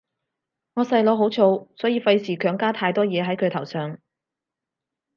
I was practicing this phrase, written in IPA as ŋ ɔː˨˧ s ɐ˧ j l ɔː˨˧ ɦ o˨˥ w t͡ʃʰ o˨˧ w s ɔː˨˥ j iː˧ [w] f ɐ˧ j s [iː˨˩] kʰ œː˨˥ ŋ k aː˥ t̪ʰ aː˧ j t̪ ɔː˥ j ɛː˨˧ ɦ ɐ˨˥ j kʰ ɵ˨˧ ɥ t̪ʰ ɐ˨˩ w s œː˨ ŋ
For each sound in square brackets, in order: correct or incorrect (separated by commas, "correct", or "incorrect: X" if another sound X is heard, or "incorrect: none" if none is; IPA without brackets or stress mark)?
incorrect: none, correct